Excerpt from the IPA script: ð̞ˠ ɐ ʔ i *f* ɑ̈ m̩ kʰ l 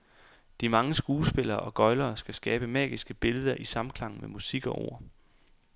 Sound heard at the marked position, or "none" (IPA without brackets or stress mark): s